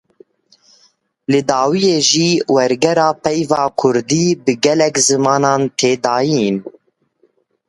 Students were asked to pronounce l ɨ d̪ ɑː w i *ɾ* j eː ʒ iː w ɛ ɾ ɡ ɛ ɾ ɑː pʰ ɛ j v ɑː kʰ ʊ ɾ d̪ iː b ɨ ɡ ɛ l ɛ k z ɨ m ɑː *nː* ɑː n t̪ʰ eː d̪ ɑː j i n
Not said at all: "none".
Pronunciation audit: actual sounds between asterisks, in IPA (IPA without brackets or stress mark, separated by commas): none, n